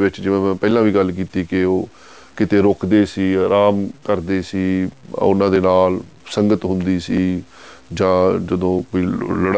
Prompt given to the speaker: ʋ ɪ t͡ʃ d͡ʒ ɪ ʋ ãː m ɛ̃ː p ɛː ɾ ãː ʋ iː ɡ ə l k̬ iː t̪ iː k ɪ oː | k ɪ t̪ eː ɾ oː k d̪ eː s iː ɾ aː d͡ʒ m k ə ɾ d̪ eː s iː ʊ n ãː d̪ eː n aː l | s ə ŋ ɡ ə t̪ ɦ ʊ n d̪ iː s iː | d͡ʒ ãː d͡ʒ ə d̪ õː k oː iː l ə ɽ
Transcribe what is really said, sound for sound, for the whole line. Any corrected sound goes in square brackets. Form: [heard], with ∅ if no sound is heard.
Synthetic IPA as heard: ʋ ɪ t͡ʃ d͡ʒ ɪ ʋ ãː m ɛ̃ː p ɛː [l] ãː ʋ iː ɡ ə l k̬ iː t̪ iː k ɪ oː | k ɪ t̪ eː ɾ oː k d̪ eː s iː ɾ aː [∅] m k ə ɾ d̪ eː s iː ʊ n ãː d̪ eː n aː l | s ə ŋ ɡ ə t̪ ɦ ʊ n d̪ iː s iː | d͡ʒ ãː d͡ʒ ə d̪ õː k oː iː l ə ɽ